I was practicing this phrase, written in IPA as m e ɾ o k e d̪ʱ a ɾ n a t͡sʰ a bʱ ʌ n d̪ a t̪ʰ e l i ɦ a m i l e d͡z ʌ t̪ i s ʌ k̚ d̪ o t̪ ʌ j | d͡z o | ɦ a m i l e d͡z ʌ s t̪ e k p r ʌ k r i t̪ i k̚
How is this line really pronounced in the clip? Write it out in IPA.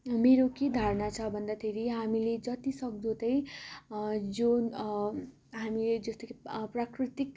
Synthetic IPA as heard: m e ɾ o k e d̪ʱ a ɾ n a t͡sʰ ʌ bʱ ʌ n d̪ a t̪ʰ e ɾ i ɦ a m i l e d͡z ʌ t̪ i s ʌ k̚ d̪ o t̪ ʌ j | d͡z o | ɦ a m i l e d͡z ʌ s t̪ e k p r a k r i t̪ i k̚